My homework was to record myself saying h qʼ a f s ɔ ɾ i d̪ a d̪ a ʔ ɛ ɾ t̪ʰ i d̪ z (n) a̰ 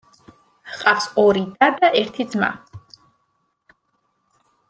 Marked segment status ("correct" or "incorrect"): incorrect